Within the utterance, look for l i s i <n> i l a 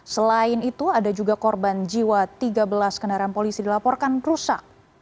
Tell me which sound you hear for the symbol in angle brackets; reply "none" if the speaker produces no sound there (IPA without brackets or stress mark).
d